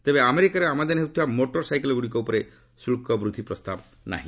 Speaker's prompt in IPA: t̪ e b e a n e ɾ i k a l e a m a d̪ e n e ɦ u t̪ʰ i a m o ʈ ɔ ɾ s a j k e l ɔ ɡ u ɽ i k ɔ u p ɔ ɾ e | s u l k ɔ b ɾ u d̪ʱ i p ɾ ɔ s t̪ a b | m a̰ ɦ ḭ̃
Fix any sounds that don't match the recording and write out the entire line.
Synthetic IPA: t̪ e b e a m e ɾ i k a ɾ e a m a d̪ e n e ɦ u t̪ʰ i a m o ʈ ɔ ɾ s a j k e l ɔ ɡ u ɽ i k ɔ u p ɔ ɾ e | s u l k ɔ b ɾ u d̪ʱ i p ɾ ɔ s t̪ a b | n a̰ ɦ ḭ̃